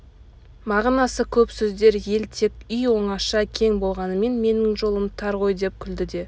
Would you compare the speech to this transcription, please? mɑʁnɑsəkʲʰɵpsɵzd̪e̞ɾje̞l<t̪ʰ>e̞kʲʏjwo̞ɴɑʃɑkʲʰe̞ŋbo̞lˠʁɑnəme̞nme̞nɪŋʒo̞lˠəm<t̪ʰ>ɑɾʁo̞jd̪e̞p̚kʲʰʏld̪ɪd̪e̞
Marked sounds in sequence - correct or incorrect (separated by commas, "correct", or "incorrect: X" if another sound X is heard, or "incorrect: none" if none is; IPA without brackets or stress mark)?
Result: correct, correct